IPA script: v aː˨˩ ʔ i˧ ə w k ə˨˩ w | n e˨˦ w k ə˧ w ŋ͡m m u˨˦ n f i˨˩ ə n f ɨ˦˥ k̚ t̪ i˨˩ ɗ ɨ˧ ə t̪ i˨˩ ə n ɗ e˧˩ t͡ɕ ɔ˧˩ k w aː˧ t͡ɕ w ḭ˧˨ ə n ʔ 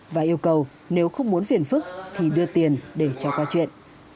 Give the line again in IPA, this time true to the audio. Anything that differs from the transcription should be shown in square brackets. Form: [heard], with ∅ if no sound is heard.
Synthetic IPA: v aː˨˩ ʔ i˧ ə w k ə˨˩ w | n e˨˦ w [x] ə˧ w ŋ͡m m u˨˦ n f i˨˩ ə n f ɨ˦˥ k̚ [t̪ʰ] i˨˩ ɗ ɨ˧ ə t̪ i˨˩ ə n ɗ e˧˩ t͡ɕ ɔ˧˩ k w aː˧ t͡ɕ w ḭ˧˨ ə n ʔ